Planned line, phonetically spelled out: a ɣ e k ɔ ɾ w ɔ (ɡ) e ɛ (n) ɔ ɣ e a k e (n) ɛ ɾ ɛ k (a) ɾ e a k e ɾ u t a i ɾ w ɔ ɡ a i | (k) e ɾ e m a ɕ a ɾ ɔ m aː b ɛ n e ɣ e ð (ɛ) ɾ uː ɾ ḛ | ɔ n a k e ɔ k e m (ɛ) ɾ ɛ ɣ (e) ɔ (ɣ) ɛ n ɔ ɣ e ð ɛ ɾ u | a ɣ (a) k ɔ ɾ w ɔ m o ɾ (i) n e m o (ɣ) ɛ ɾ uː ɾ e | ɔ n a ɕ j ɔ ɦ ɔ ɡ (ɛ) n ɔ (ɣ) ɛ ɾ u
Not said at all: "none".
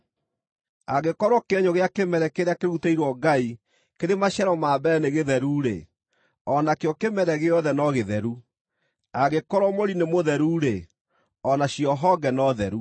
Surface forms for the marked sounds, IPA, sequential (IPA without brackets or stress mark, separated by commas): k, ɲ, m, e, k, ɛ, ɛ, e, ð, e, i, ð, ɛ, ð